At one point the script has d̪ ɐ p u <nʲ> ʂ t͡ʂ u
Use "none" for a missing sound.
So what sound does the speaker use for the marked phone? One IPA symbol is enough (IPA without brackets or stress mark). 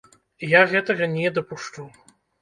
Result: none